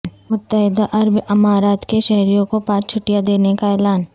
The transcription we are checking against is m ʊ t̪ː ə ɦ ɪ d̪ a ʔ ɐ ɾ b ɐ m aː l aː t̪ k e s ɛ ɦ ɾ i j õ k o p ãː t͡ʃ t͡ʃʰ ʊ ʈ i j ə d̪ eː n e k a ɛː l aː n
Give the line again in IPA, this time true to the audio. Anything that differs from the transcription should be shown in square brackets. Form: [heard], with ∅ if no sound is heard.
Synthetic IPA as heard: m ʊ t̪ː ə ɦ ɪ d̪ a ʔ ɐ ɾ b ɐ m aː [ɾ] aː t̪ k e [ʃ] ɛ ɦ ɾ i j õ k o p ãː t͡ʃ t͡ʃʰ ʊ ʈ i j [a] d̪ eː n e k a ɛː l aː n